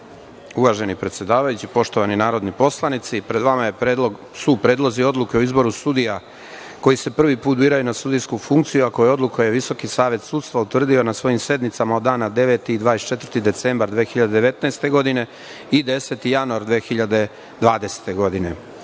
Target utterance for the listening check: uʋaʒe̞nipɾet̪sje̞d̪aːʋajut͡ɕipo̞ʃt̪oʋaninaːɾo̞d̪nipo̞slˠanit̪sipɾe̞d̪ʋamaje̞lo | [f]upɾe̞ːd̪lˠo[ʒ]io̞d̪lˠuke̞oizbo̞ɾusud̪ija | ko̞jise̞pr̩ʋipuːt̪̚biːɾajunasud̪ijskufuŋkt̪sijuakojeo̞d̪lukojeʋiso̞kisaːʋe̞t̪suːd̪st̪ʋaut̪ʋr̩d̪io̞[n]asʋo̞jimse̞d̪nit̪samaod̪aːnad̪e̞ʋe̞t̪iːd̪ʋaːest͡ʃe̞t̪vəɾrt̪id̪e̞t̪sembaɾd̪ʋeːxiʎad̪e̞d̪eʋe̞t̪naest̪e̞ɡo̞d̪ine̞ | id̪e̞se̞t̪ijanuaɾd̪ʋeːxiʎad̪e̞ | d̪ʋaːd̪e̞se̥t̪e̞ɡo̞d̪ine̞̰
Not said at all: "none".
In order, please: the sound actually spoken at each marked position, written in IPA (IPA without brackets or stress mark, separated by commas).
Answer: s, z, n